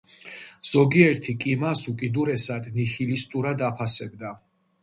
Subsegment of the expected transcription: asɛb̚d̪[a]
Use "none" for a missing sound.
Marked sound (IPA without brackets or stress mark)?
a